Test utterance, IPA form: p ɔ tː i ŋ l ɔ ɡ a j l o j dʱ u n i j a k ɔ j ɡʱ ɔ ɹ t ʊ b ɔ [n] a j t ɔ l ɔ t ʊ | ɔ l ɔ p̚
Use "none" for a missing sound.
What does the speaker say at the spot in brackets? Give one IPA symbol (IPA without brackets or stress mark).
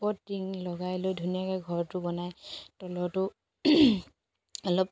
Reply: n